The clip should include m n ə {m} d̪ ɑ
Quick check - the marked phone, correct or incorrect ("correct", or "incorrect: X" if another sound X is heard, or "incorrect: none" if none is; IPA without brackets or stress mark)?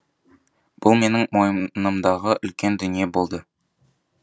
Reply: correct